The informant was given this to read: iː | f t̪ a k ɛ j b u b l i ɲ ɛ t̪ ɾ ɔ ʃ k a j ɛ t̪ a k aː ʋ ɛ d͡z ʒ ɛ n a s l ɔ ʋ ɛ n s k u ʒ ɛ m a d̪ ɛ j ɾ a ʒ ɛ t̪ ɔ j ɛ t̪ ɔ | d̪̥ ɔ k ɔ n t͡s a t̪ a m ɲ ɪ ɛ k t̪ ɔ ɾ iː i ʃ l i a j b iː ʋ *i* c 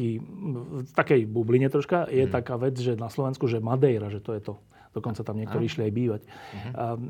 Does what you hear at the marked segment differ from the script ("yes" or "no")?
yes